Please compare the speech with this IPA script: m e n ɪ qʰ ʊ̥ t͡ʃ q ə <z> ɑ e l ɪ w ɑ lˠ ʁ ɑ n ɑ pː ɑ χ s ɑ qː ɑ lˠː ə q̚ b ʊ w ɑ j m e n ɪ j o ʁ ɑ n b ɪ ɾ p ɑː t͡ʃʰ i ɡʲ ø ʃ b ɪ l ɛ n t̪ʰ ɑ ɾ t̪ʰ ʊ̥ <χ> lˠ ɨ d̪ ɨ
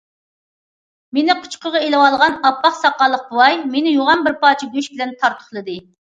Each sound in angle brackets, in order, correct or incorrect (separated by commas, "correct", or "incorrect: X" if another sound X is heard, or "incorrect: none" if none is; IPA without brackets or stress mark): incorrect: ʁ, correct